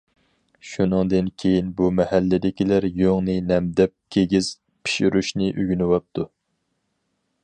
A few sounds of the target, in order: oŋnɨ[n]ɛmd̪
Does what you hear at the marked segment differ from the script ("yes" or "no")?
no